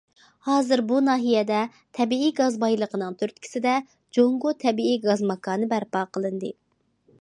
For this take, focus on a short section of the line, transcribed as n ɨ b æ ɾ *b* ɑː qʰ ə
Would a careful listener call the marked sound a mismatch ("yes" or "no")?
yes